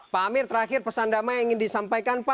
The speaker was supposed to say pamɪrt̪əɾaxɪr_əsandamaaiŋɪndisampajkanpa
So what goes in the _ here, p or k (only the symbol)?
p